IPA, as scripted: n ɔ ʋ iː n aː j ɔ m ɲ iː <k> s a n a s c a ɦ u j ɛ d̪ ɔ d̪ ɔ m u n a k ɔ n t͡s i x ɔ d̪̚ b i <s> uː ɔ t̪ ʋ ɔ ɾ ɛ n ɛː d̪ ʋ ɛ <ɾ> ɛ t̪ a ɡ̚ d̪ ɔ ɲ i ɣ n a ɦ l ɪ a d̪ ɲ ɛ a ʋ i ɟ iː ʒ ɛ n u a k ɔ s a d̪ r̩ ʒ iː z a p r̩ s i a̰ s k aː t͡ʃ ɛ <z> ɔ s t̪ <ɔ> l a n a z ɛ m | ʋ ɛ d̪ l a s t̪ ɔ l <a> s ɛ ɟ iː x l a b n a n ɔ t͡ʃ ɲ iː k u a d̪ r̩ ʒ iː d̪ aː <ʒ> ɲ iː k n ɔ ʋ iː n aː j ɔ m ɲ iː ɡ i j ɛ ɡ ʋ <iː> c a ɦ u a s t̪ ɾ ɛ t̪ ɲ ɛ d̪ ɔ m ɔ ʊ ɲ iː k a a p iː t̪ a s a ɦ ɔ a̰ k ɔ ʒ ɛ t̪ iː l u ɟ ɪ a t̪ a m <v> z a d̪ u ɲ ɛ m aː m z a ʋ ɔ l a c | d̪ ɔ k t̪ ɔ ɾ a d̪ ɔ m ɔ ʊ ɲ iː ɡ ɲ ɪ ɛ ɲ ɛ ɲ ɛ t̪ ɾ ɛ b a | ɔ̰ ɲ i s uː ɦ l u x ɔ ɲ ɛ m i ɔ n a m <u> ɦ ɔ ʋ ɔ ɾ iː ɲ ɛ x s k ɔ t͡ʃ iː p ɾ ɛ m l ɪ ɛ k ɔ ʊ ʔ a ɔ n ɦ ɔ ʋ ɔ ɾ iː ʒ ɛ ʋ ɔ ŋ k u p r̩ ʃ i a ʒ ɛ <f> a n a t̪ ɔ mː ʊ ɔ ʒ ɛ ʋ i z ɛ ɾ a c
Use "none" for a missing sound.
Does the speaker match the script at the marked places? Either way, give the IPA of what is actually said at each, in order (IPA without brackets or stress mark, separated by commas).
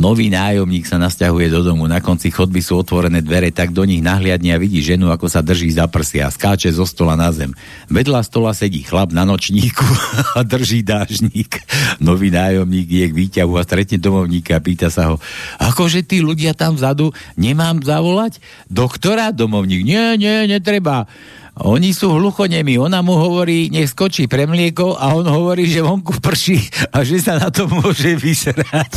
k, s, ɾ, z, ɔ, a, ʒ, iː, v, u, s